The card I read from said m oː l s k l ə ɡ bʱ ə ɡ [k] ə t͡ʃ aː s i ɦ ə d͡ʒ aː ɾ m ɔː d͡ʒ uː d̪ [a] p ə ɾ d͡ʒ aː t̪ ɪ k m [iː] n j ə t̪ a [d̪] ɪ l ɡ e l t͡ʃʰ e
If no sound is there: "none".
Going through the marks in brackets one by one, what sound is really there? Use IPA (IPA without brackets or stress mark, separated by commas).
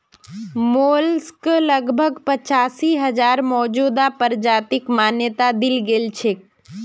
p, a, aː, d̪